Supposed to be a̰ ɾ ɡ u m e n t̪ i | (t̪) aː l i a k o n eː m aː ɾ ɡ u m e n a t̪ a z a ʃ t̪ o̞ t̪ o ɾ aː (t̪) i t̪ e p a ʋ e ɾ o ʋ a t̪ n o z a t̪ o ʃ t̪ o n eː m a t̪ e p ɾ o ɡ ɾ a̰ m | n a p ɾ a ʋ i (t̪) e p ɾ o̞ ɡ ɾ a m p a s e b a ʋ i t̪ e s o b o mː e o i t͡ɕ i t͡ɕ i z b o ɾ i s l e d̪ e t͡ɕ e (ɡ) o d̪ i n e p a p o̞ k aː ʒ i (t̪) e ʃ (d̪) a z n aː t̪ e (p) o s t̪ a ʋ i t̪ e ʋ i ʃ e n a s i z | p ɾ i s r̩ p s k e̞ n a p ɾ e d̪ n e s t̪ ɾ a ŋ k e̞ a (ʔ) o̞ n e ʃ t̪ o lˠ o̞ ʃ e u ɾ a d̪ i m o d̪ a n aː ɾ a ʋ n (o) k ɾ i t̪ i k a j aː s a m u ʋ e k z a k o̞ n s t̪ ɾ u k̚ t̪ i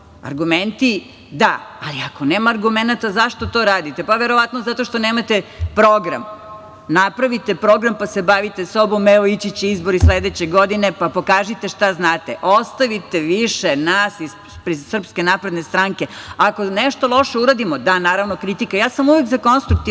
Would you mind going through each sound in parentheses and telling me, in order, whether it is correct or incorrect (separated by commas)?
incorrect, incorrect, correct, correct, correct, incorrect, incorrect, incorrect, correct